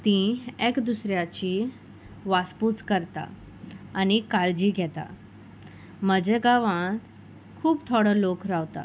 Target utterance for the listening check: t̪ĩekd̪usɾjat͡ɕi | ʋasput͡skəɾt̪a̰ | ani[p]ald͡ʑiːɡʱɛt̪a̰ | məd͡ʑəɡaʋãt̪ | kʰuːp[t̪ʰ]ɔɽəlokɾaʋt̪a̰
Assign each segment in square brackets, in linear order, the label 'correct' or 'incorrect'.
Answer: incorrect: k, correct

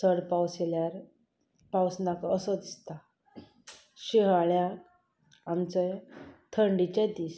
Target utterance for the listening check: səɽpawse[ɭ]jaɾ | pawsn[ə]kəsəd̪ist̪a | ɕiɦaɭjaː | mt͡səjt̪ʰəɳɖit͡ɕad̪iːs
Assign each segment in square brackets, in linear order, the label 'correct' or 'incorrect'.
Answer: incorrect: l, incorrect: a

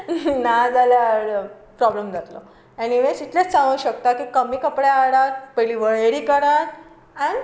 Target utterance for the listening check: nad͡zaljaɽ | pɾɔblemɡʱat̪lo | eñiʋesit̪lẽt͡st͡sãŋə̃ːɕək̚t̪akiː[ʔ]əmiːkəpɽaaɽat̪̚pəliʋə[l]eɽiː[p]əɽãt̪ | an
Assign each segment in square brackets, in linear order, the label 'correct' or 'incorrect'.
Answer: incorrect: k, incorrect: ɭ, incorrect: k

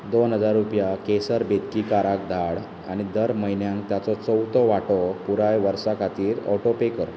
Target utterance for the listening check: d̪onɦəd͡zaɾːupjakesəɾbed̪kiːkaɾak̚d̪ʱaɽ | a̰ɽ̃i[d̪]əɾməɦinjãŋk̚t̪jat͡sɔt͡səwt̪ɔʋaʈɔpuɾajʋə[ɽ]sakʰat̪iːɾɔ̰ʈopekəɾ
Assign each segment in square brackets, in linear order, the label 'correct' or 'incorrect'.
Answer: correct, incorrect: ɾ

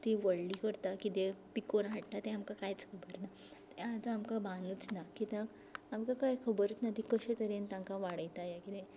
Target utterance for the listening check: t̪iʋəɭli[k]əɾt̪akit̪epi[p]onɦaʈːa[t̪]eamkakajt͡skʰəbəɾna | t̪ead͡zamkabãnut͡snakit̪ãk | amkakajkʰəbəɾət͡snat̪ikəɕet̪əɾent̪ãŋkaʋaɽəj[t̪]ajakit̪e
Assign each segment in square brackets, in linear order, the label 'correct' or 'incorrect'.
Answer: correct, incorrect: k, correct, correct

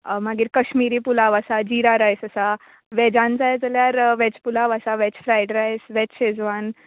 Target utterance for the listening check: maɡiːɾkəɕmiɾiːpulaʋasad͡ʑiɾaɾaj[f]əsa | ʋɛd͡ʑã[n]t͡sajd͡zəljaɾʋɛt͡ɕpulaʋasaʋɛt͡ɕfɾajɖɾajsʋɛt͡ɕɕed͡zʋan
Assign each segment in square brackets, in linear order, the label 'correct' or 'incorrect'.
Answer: incorrect: s, correct

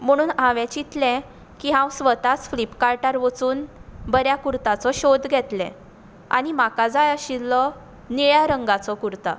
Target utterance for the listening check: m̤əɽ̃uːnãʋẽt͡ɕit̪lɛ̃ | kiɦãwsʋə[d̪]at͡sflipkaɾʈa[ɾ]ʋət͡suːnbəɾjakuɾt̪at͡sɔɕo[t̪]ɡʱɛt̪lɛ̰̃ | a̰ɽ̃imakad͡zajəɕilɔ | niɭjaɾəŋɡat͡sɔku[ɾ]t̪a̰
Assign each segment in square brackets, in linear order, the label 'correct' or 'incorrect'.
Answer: incorrect: t̪, correct, incorrect: d̪, correct

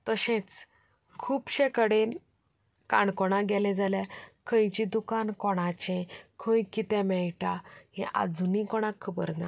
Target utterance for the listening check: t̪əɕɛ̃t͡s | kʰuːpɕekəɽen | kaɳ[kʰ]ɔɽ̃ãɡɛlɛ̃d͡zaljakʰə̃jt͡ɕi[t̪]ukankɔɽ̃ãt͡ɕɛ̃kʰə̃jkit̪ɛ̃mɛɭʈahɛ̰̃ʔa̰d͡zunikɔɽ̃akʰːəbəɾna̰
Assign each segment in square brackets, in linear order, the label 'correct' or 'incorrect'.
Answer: incorrect: k, incorrect: d̪

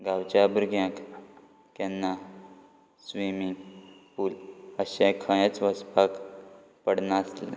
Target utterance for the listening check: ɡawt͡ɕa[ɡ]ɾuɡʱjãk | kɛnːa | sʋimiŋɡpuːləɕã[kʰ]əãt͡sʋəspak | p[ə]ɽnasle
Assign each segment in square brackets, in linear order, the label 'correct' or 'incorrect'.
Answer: incorrect: b, correct, correct

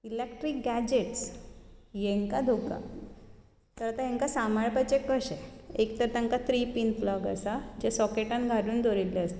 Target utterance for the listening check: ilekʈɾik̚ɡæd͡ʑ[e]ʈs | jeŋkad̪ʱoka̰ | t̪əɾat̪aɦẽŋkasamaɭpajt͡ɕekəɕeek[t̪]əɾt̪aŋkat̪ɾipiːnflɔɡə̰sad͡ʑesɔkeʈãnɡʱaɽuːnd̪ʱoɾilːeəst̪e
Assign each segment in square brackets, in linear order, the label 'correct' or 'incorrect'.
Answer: correct, correct

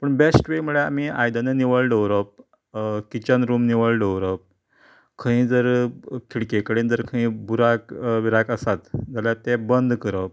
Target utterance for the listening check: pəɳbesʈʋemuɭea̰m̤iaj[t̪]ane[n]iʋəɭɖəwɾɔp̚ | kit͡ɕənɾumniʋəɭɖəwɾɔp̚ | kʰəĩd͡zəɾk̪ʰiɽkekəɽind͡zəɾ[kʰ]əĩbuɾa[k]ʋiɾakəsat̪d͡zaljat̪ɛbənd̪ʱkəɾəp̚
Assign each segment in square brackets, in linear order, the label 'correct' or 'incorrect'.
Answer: incorrect: d̪, correct, correct, correct

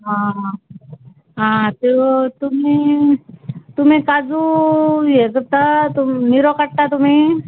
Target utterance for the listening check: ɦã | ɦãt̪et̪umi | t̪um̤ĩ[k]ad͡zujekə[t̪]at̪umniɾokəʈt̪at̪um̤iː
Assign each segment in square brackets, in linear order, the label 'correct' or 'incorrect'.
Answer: correct, correct

